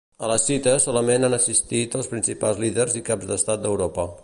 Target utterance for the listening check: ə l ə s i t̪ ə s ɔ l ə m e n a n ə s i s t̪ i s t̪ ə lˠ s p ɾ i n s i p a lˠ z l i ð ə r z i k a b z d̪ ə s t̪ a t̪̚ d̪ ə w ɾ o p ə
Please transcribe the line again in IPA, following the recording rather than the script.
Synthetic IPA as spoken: ə l ə s i t̪ ə s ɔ l ə m e n a n ə s i s t̪ i t̪ ə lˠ s p ɾ i n s i p a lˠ z l i ð ə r z i k a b z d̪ ə s t̪ a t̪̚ d̪ ə w ɾ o p ə